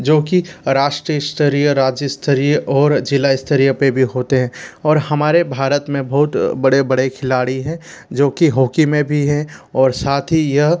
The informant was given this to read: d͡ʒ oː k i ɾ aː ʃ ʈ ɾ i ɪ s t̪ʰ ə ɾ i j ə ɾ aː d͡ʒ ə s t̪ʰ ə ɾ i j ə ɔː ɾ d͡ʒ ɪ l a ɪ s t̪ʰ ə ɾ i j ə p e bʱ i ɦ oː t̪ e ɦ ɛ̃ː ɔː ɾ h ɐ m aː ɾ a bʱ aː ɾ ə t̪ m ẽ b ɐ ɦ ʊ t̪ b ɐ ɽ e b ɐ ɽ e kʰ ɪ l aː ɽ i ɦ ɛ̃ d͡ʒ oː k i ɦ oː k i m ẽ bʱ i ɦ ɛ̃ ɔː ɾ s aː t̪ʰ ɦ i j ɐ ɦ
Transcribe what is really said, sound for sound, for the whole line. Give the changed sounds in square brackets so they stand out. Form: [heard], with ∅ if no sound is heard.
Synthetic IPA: d͡ʒ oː k i ɾ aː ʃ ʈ ɾ i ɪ s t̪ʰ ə ɾ i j ə ɾ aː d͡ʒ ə s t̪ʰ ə ɾ i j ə ɔː ɾ d͡ʒ ɪ l a ɪ s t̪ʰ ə ɾ i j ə p e bʱ i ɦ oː t̪ e ɦ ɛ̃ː ɔː ɾ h ɐ m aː ɾ [e] bʱ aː ɾ ə t̪ m ẽ b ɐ ɦ ʊ t̪ b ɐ ɽ e b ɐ ɽ e kʰ ɪ l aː ɽ i ɦ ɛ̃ d͡ʒ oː k i ɦ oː k i m ẽ bʱ i ɦ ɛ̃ ɔː ɾ s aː t̪ʰ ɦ i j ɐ ɦ